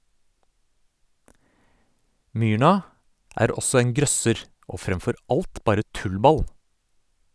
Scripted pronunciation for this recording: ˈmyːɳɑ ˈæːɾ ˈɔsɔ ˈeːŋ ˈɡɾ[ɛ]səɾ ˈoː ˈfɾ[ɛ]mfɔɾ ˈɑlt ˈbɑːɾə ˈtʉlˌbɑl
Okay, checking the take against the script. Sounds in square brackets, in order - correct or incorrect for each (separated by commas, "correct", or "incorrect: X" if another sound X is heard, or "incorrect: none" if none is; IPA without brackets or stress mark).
incorrect: œ, correct